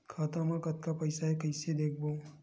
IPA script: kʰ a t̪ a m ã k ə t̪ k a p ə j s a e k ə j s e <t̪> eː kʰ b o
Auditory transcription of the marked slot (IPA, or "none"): d̪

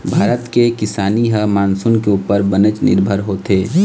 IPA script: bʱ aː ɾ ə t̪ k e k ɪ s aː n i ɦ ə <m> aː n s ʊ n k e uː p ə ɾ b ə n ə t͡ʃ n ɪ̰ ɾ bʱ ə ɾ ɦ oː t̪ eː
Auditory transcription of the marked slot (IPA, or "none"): m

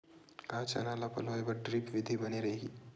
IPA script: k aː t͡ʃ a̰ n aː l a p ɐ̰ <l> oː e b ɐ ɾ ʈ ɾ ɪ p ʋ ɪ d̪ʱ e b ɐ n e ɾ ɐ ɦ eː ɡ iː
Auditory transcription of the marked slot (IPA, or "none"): l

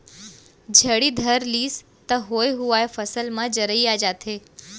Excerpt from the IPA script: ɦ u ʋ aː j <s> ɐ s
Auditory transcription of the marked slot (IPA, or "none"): f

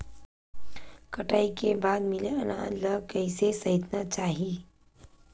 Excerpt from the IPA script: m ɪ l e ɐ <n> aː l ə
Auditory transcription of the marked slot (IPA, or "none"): n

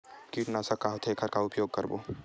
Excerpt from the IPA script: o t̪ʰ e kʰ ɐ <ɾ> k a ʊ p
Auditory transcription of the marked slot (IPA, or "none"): ɾ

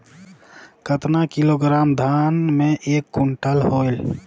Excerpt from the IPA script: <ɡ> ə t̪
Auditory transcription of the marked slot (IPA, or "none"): k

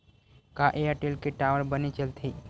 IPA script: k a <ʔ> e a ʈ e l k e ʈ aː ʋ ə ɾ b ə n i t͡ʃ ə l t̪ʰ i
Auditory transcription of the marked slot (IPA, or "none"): ʔ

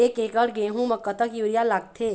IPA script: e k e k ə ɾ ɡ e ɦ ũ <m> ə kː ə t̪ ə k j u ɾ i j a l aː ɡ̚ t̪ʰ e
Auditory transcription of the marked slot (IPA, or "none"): m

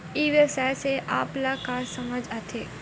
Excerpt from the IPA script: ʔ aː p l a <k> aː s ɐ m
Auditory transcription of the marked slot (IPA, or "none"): k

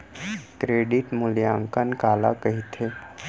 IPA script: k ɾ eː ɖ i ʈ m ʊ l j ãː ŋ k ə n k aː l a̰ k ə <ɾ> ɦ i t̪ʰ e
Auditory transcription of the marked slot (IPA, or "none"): none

